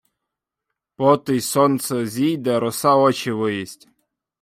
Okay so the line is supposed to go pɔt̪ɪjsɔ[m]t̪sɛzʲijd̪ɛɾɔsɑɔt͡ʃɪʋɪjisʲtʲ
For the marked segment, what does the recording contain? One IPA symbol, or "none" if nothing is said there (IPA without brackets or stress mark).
n